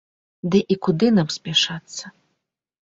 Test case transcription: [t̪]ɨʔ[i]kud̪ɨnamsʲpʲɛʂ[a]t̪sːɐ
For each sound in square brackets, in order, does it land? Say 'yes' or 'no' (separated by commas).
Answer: no, yes, yes